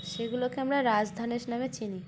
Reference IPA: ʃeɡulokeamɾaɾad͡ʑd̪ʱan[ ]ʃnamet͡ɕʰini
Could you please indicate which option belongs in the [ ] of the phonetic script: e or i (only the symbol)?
e